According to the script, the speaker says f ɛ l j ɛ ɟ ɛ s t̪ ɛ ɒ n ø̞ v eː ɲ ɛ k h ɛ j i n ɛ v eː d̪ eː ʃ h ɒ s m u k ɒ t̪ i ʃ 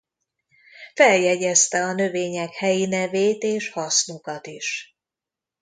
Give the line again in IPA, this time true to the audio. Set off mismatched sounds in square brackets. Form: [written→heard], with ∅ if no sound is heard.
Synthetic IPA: f ɛ l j ɛ ɟ ɛ s t̪ ɛ ɒ n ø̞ v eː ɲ ɛ k h ɛ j i n ɛ v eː [d̪→t̪] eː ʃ h ɒ s [m→n] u k ɒ t̪ i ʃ

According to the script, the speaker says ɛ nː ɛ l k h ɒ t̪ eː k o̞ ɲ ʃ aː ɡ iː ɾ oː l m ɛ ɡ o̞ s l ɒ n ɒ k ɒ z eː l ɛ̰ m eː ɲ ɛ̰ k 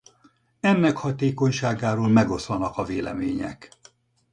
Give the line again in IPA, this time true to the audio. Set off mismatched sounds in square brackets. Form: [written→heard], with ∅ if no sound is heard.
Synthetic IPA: ɛ nː ɛ [l→∅] k h ɒ t̪ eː k o̞ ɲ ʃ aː ɡ [iː→aː] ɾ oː l m ɛ ɡ o̞ s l ɒ n ɒ k ɒ [z→v] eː l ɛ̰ m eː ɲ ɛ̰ k

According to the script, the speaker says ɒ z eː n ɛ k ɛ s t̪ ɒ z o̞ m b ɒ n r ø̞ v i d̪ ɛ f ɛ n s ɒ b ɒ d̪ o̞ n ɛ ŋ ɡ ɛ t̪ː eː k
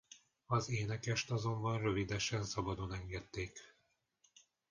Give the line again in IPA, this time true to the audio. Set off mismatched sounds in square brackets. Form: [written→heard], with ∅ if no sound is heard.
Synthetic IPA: ɒ z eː n ɛ k ɛ [s→ʃ] t̪ ɒ z o̞ m b ɒ n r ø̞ v i d̪ ɛ [f→ʃ] ɛ n s ɒ b ɒ d̪ o̞ n ɛ ŋ ɡ ɛ t̪ː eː k

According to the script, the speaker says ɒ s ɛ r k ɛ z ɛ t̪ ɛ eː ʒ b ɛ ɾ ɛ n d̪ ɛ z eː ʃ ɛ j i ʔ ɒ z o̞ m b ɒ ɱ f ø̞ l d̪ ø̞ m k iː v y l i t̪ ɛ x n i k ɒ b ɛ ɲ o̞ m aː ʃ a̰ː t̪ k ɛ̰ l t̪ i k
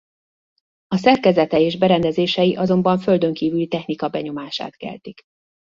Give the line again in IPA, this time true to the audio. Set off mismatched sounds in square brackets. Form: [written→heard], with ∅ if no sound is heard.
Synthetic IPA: ɒ s ɛ r k ɛ z ɛ t̪ ɛ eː ʒ b ɛ ɾ ɛ n d̪ ɛ z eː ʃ ɛ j i ʔ ɒ z o̞ m b ɒ ɱ f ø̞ l d̪ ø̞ [m→ŋ] k iː v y l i t̪ ɛ x n i k ɒ b ɛ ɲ o̞ m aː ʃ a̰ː t̪ k ɛ̰ l t̪ i k

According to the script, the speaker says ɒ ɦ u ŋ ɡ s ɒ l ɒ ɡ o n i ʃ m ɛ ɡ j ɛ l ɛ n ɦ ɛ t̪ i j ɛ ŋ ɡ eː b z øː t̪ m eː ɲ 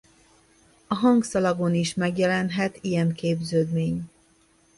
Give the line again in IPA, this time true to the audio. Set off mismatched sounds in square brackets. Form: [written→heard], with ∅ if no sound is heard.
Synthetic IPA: ɒ ɦ [u→ɒ] ŋ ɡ s ɒ l ɒ ɡ o n i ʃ m ɛ ɡ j ɛ l ɛ n ɦ ɛ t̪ i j ɛ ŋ [ɡ→k] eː b z øː [t̪→d̪] m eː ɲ

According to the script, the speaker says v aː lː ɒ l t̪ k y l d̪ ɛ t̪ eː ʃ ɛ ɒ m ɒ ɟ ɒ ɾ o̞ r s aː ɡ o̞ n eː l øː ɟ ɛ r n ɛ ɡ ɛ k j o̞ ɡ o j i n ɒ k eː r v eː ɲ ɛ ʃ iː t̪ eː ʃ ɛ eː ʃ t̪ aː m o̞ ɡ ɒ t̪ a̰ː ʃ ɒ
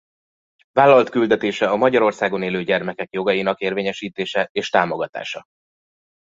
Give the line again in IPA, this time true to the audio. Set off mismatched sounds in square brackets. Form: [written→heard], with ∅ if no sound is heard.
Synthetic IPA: v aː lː ɒ l t̪ k y l d̪ ɛ t̪ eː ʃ ɛ ɒ m ɒ ɟ ɒ ɾ o̞ r s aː ɡ o̞ n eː l øː ɟ ɛ r [n→m] ɛ [ɡ→k] ɛ k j o̞ ɡ [o→ɒ] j i n ɒ k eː r v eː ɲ ɛ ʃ iː t̪ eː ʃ ɛ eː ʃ t̪ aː m o̞ ɡ ɒ t̪ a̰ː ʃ ɒ

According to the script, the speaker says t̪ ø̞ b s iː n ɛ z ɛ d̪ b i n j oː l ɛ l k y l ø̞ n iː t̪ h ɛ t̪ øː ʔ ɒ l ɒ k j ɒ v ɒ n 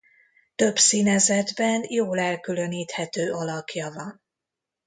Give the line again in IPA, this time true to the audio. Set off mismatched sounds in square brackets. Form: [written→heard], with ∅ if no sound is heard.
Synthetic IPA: t̪ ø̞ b s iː n ɛ z ɛ d̪ b [i→ɛ] n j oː l ɛ l k y l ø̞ n iː t̪ h ɛ t̪ øː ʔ ɒ l ɒ k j ɒ v ɒ n

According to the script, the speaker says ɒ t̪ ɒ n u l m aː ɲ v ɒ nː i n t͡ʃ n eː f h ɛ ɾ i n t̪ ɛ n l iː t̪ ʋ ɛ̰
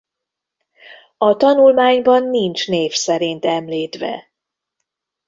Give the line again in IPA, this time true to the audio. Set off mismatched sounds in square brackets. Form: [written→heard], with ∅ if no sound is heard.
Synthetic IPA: ɒ t̪ ɒ n u l m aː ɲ [v→b] ɒ nː i n t͡ʃ n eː f [h→s] ɛ ɾ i n t̪ ɛ [n→m] l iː t̪ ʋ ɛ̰

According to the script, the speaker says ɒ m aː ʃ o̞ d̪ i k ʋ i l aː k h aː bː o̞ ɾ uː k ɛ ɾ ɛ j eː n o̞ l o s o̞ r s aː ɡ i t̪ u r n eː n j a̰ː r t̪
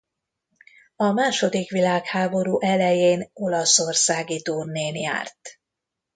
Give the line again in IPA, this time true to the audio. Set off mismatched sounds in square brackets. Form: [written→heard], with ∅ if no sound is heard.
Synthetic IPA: ɒ m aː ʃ o̞ d̪ i k ʋ i l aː k h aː [bː→b] o̞ ɾ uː [k→ʔ] ɛ [ɾ→l] ɛ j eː n o̞ l [o→ɒ] s o̞ r s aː ɡ i t̪ u r n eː n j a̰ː r t̪

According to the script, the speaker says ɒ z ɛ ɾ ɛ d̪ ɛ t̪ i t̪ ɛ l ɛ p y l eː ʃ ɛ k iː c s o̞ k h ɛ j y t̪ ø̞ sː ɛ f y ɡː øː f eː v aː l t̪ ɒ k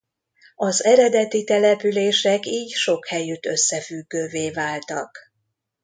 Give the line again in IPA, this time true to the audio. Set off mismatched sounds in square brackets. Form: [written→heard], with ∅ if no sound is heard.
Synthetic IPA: ɒ z ɛ ɾ ɛ d̪ ɛ t̪ i t̪ ɛ l ɛ p y l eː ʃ ɛ k iː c [s→ʃ] o̞ k h ɛ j y t̪ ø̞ sː ɛ f y ɡː øː [f→v] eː v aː l t̪ ɒ k

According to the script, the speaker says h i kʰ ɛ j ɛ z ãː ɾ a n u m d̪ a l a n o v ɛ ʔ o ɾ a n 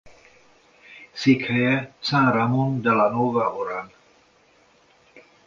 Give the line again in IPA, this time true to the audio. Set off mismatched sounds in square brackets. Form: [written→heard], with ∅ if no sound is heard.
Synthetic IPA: [h→s] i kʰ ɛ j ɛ [z→s] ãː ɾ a [n→m] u [m→n] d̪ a l a n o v [ɛ→a] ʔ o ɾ a n

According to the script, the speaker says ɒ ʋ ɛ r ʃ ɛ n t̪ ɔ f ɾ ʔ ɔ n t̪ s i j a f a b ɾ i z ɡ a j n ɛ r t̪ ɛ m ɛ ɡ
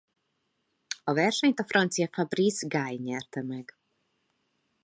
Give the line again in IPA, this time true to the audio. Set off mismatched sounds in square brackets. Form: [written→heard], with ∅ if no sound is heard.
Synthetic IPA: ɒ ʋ ɛ r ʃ ɛ [n→ɲ] t̪ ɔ f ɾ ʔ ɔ n t̪ s i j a f a b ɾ i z ɡ a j [n→ɲ] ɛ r t̪ ɛ m ɛ ɡ

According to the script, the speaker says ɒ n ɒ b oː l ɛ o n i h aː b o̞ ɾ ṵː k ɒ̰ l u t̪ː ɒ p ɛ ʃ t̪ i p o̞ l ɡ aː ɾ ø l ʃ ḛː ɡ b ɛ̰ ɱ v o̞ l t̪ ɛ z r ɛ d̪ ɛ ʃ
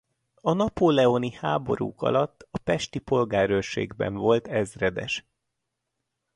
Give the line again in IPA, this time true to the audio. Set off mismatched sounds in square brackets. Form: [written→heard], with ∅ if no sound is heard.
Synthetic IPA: ɒ n ɒ [b→p] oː l ɛ o n i h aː b o̞ ɾ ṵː k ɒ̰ l [u→ɒ] t̪ː ɒ p ɛ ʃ t̪ i p o̞ l ɡ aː ɾ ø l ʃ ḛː ɡ b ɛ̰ ɱ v o̞ l t̪ ɛ z r ɛ d̪ ɛ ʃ

